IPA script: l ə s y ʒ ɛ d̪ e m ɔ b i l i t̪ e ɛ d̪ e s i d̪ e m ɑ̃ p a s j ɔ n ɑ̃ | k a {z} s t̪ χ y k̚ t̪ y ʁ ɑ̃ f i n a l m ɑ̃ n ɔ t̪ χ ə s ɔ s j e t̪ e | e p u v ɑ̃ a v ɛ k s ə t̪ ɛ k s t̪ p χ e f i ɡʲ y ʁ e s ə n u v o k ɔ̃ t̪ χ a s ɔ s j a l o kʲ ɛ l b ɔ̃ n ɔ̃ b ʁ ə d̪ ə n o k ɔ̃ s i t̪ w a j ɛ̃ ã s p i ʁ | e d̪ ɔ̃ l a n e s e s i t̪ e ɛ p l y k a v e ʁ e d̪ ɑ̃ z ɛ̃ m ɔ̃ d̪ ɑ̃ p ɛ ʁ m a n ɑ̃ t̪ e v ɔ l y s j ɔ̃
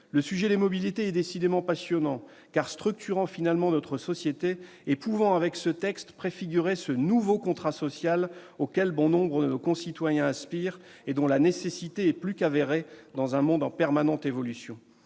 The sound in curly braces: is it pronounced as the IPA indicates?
no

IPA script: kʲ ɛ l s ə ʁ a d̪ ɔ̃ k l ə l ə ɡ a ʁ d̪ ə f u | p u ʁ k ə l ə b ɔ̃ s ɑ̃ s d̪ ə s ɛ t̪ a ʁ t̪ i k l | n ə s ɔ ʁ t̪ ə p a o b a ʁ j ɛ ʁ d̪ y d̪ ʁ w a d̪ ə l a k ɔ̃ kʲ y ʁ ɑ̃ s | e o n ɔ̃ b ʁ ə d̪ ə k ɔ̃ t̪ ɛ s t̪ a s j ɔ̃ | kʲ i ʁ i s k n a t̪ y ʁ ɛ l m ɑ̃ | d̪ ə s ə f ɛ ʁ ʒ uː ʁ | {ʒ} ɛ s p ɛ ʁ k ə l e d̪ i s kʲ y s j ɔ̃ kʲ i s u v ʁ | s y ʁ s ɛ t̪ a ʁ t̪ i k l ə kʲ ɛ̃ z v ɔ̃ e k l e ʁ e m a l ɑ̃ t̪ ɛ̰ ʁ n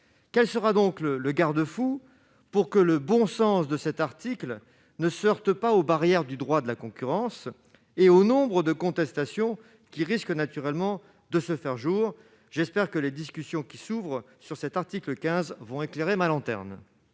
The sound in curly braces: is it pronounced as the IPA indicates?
yes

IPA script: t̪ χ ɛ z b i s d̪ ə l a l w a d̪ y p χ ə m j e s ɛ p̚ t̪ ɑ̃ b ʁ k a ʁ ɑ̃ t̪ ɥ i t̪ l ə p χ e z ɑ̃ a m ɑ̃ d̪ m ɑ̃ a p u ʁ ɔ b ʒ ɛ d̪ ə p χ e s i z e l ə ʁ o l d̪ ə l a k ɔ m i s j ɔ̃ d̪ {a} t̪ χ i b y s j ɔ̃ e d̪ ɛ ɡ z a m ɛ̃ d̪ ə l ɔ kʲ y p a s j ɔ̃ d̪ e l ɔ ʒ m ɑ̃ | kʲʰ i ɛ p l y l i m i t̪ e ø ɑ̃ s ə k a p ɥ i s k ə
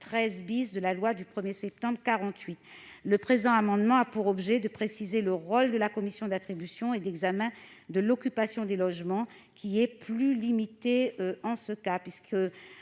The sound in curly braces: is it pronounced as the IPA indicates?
yes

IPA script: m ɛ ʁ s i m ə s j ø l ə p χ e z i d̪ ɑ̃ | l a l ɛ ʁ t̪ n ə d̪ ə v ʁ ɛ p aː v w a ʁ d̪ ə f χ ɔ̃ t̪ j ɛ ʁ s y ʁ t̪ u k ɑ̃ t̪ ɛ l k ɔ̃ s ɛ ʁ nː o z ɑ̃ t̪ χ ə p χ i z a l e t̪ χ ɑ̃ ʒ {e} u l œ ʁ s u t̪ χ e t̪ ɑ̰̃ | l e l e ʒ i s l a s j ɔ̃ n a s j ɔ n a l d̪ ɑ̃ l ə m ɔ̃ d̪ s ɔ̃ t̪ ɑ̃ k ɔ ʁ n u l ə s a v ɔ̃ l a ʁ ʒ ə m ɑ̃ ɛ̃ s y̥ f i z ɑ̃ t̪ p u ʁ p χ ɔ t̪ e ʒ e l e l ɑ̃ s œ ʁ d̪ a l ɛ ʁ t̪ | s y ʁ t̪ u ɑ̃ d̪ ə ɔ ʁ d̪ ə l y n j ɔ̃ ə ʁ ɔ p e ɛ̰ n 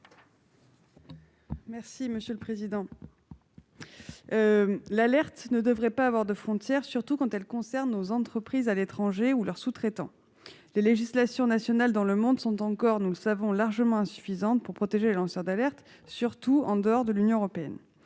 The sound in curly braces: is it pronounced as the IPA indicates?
yes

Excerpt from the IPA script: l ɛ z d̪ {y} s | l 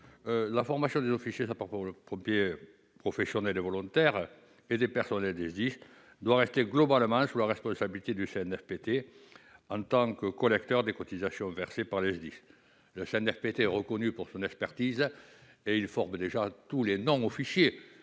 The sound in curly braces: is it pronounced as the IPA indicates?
no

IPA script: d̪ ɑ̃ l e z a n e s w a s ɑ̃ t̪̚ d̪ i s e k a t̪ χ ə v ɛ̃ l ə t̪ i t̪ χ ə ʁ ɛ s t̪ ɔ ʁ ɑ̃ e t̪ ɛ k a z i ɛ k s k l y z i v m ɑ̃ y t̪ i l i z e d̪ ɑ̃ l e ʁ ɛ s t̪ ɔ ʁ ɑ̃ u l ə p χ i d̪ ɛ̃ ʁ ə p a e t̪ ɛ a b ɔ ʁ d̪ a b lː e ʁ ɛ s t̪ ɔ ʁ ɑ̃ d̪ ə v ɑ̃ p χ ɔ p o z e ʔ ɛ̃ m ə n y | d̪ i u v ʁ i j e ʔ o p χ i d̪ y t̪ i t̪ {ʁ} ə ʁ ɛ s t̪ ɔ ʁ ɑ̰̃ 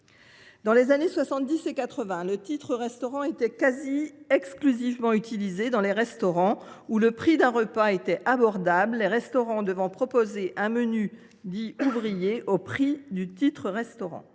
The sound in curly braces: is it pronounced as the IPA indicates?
no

